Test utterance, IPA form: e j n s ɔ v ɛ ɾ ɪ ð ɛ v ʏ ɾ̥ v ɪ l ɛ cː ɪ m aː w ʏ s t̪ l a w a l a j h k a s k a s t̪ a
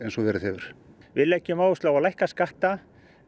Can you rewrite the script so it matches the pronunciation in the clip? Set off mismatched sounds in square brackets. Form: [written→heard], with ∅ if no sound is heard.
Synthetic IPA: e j n s ɔ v ɛ ɾ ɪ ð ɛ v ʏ ɾ̥ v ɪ l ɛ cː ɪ m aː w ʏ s t̪ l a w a l a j h k a s k a [s→h] t̪ a